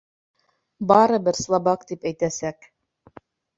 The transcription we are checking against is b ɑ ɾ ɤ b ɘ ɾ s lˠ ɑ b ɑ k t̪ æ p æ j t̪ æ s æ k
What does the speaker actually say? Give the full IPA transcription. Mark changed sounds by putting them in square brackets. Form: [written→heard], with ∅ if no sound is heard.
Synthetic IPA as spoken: b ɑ ɾ ɤ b ɘ ɾ s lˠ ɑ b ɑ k t̪ [æ→i] p æ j t̪ æ s æ k